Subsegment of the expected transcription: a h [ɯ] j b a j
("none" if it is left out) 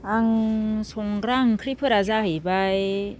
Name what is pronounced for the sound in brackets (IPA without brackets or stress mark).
ɯ